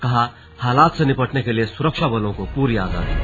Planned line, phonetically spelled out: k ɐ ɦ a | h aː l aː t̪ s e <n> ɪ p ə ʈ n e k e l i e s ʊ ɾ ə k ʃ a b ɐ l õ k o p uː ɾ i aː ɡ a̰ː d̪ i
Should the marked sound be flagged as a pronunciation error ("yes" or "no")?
no